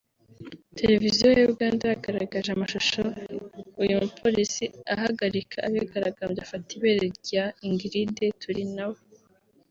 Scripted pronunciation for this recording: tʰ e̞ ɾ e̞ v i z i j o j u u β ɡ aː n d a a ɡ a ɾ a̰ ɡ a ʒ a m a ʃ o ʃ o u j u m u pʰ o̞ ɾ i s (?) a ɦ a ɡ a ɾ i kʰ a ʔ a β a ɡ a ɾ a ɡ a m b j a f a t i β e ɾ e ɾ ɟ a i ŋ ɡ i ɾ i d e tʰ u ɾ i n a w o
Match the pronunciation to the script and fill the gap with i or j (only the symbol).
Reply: i